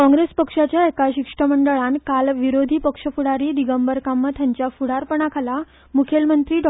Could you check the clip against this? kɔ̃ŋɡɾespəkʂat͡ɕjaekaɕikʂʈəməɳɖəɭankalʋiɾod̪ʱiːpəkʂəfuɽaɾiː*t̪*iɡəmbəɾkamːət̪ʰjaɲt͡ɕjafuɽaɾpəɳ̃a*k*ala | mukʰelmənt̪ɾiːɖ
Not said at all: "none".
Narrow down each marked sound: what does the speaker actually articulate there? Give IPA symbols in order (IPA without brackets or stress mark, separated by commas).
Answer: d̪, kʰ